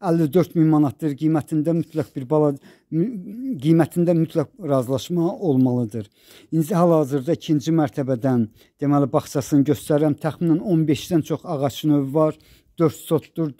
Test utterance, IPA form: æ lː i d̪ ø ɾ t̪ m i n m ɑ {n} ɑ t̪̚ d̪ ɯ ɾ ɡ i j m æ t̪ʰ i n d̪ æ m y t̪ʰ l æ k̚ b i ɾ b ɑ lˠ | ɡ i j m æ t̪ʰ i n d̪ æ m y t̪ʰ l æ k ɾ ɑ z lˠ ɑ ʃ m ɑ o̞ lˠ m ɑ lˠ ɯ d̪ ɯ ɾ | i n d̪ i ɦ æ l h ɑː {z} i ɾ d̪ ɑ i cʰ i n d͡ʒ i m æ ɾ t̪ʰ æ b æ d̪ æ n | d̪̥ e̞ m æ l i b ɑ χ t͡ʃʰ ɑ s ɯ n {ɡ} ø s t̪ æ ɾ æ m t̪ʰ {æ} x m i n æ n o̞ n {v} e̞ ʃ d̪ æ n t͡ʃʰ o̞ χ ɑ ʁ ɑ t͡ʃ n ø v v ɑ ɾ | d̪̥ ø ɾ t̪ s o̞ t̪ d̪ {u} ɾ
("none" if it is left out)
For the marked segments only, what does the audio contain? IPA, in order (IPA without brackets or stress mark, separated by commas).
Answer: n, z, ɟ, æ, b, u